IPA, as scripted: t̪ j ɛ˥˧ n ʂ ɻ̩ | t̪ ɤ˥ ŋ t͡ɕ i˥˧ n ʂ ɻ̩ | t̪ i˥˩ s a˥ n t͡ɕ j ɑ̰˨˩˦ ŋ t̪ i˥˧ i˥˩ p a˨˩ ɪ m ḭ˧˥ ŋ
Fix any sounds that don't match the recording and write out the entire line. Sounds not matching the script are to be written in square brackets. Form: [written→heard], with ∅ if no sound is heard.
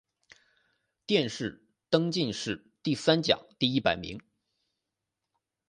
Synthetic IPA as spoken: t̪ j ɛ˥˧ n ʂ ɻ̩ | t̪ ɤ˥ ŋ t͡ɕ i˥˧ n ʂ ɻ̩ | t̪ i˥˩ s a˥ n t͡ɕ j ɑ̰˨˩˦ ŋ t̪ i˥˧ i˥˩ p a˨˩ ɪ m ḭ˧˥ ŋ